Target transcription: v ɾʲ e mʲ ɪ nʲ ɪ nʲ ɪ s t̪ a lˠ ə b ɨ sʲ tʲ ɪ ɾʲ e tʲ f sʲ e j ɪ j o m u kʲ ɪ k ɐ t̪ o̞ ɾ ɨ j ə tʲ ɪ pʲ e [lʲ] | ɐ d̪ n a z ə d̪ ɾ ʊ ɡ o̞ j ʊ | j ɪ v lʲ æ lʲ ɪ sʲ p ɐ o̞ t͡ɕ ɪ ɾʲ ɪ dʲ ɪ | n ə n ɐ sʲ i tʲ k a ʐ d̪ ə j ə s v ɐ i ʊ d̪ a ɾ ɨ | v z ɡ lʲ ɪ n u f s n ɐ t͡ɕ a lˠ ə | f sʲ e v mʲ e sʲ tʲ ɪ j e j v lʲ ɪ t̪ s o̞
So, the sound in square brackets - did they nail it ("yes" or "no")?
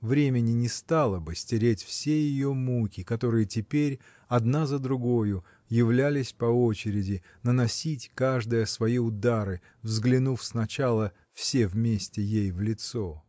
no